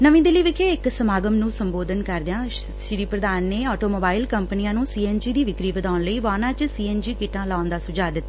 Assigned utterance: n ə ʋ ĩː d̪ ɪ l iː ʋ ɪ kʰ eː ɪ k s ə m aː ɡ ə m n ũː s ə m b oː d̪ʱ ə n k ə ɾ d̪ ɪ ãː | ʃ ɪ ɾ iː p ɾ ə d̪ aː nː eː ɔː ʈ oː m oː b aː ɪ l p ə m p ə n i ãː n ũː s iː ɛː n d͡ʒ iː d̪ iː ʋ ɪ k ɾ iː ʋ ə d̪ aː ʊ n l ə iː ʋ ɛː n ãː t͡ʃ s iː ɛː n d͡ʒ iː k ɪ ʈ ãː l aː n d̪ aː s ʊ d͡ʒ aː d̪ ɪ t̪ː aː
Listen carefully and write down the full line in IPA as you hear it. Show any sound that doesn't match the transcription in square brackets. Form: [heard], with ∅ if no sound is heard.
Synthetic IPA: n ə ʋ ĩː d̪ ɪ l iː ʋ ɪ kʰ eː ɪ k s ə m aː ɡ ə m n ũː s ə m b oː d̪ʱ ə n k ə ɾ d̪ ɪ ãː | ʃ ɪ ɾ iː p ɾ ə d̪ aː nː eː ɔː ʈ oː m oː b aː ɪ l [k] ə m p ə n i ãː n ũː s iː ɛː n d͡ʒ iː d̪ iː ʋ ɪ k ɾ iː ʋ ə d̪ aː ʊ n l ə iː ʋ [aː] n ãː t͡ʃ s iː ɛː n d͡ʒ iː k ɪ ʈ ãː l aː n d̪ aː s ʊ d͡ʒ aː d̪ ɪ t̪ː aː